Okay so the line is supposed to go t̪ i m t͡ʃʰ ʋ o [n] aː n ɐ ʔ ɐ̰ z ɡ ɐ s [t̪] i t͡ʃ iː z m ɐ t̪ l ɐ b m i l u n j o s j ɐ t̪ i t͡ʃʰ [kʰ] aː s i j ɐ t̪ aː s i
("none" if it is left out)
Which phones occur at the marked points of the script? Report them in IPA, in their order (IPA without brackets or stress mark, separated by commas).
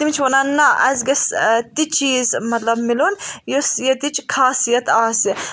n, t̪, kʰ